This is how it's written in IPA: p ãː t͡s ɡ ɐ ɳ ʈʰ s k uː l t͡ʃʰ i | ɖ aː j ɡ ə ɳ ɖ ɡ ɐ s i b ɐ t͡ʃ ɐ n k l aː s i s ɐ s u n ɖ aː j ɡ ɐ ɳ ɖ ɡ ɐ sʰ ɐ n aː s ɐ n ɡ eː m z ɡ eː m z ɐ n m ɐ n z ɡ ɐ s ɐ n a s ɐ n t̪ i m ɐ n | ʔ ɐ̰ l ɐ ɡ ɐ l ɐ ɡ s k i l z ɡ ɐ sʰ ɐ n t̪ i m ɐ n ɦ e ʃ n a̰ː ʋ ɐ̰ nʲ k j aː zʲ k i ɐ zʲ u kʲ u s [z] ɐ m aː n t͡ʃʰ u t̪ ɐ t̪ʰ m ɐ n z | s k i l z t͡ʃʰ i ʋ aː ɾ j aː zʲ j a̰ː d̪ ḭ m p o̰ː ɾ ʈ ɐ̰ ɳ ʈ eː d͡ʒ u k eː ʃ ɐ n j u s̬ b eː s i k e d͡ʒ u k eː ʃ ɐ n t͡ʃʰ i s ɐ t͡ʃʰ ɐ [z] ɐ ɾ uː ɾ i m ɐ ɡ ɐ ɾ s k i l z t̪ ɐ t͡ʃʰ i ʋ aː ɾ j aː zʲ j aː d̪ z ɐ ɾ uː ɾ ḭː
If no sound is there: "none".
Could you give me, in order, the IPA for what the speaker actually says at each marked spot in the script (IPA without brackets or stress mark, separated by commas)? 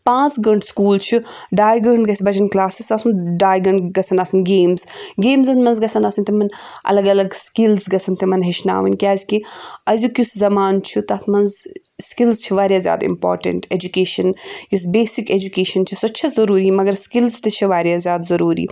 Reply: z, z